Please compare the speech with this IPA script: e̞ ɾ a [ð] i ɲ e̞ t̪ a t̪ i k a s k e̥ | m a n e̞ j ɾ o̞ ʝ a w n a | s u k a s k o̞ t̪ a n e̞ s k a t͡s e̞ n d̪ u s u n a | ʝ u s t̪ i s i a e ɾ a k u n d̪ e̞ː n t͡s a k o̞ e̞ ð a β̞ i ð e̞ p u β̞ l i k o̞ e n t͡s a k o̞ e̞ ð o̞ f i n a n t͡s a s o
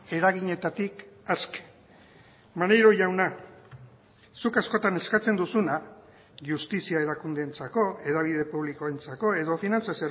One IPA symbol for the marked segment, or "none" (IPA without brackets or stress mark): ɣ